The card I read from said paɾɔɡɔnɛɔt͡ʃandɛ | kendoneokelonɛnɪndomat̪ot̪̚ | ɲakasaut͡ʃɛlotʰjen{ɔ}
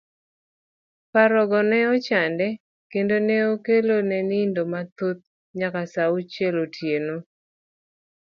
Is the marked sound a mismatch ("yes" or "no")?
yes